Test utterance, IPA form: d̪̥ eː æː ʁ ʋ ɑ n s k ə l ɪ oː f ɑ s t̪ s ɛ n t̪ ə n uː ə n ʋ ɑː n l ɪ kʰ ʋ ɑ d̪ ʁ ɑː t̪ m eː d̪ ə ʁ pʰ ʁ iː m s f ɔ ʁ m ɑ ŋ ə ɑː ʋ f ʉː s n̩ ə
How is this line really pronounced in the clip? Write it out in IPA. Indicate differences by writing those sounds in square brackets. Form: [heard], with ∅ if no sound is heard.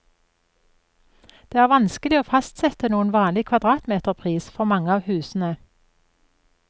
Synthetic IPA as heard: d̪̥ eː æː ʁ ʋ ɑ n s k ə l ɪ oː f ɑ s t̪ s ɛ [∅] t̪ ə n uː ə n ʋ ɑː n l ɪ kʰ ʋ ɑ d̪ ʁ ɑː t̪ m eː [t̪] ə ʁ pʰ ʁ iː [∅] s f ɔ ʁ m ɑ ŋ ə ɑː ʋ [h] ʉː s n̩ ə

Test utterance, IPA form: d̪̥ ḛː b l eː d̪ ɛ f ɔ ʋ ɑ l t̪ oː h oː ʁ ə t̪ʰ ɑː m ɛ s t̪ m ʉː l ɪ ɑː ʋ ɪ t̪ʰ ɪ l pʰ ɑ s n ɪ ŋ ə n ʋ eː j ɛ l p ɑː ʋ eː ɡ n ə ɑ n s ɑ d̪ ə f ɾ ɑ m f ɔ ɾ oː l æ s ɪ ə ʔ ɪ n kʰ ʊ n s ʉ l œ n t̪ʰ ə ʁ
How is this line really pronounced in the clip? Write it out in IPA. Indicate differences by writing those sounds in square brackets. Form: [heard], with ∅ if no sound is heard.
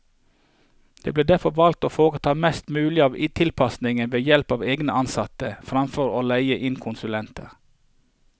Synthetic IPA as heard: d̪̥ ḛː b l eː d̪ [æ] f ɔ ʋ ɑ l t̪ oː [f] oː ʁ ə t̪ʰ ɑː m ɛ s t̪ m ʉː l ɪ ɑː ʋ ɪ t̪ʰ ɪ l pʰ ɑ s n ɪ ŋ ə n ʋ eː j ɛ l p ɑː ʋ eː ɡ n ə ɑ n s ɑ [t̪] ə f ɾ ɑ m f ɔ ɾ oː l æ [∅] ɪ ə ʔ ɪ n kʰ ʊ n s ʉ l [ɛ] n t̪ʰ ə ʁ

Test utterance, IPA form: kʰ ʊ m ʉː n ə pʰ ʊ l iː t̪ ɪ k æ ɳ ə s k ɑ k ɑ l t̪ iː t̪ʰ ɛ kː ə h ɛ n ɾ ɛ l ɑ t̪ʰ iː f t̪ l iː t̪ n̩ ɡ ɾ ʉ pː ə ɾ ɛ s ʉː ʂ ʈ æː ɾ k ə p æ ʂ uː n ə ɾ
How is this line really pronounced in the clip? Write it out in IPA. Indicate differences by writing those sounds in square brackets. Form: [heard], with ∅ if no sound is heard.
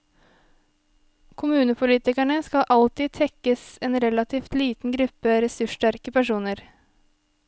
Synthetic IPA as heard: kʰ ʊ m ʉː n ə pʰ ʊ l iː t̪ ɪ k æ ɳ ə s k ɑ [ʔ] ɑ l t̪ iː t̪ʰ ɛ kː ə [s] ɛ n ɾ ɛ l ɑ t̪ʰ iː f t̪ l iː t̪ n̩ ɡ ɾ ʉ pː ə ɾ ɛ s [ʉ] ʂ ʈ [æ] ɾ k ə p æ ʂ uː n ə ɾ

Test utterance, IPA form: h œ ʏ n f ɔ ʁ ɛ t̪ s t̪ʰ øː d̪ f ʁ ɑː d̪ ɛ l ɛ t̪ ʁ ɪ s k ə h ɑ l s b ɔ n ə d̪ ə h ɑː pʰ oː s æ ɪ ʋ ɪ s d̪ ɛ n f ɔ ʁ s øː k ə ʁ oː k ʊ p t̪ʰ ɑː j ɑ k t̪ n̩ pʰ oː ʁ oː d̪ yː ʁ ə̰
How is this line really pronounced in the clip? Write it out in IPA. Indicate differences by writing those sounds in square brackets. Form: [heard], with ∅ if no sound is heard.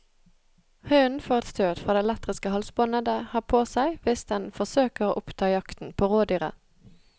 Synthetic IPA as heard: h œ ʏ n f ɔ ʁ ɛ t̪ s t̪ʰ øː d̪ f ʁ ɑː d̪ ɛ l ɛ t̪ ʁ ɪ s k ə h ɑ l s b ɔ n ə d̪ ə h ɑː pʰ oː s æ ɪ ʋ ɪ s d̪ ɛ n f ɔ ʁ s øː k ə ʁ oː [ʔ] ʊ p t̪ʰ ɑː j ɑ k t̪ n̩ pʰ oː ʁ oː d̪ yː ʁ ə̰

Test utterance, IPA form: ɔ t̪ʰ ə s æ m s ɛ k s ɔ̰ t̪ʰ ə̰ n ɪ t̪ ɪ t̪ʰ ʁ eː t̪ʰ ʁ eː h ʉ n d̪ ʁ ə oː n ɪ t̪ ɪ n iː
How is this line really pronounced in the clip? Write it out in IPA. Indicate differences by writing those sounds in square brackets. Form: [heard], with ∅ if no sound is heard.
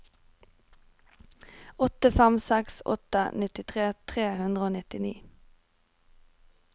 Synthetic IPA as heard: ɔ [t̪] ə [f] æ m s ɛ k s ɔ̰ [t̪] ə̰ n ɪ t̪ ɪ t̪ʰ ʁ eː t̪ʰ ʁ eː h ʉ n d̪ ʁ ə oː n ɪ t̪ ɪ n iː

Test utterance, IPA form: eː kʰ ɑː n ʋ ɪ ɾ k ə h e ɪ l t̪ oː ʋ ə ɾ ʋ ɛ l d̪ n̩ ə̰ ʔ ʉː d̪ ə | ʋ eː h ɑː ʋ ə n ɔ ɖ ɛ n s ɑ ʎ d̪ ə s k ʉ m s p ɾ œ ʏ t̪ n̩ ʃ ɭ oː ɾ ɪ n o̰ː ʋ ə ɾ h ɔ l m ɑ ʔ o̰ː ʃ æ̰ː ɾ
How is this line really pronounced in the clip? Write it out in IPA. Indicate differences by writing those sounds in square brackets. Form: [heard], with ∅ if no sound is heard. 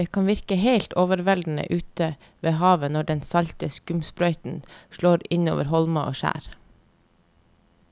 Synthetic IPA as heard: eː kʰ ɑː n ʋ ɪ ɾ k ə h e ɪ l t̪ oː ʋ ə ɾ ʋ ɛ l d̪ n̩ ə̰ ʔ ʉː [t̪] ə | ʋ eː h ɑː ʋ ə n ɔ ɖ ɛ n s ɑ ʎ [t̪] ə s k ʉ m s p ɾ œ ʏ t̪ n̩ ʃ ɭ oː ɾ ɪ n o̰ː ʋ ə ɾ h ɔ l m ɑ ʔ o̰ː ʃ æ̰ː ɾ

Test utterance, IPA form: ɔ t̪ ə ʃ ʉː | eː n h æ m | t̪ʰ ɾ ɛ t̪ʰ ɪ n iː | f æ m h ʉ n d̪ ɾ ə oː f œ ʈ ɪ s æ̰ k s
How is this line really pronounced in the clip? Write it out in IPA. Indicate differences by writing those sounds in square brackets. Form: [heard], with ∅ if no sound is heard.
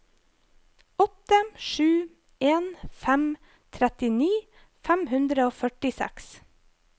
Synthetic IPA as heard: ɔ t̪ ə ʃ ʉː | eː n [f] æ m | t̪ʰ ɾ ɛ [t̪] ɪ n iː | f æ m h ʉ n d̪ ɾ ə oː f œ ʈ ɪ s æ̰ k s

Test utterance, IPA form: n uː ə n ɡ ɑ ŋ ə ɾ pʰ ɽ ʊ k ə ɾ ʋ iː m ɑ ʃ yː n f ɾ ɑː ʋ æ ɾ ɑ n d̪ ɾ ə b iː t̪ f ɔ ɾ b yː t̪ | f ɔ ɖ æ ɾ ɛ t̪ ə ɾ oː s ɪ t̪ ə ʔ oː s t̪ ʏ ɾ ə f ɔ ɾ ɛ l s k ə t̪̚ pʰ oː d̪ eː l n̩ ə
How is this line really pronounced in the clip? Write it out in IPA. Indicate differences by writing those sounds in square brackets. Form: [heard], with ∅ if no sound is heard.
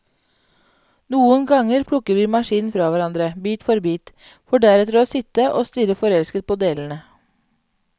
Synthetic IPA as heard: n uː ə n ɡ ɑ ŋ ə ɾ pʰ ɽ ʊ k ə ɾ ʋ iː m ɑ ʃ [iː] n f ɾ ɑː ʋ æ ɾ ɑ n d̪ ɾ ə b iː t̪ f ɔ ɾ b [iː] t̪ | f ɔ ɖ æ ɾ ɛ t̪ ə ɾ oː s ɪ t̪ ə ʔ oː s t̪ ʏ ɾ ə f ɔ ɾ ɛ l s k ə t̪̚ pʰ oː d̪ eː l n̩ ə

